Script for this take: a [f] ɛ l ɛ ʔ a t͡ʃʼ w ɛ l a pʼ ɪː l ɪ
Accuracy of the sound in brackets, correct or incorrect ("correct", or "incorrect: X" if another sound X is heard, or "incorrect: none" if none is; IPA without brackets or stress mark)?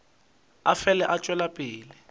correct